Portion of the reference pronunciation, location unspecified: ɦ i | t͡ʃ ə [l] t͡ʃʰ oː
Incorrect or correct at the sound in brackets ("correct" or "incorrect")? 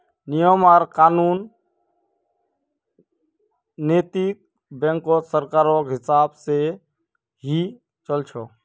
correct